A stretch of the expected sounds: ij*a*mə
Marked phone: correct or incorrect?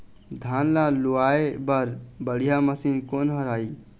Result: correct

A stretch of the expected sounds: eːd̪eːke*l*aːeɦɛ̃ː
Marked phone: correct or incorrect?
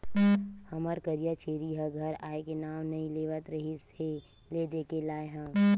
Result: correct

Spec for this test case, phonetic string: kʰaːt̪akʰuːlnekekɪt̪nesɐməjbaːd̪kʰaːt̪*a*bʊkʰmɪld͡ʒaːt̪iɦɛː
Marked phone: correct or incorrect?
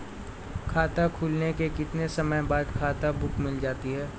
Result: correct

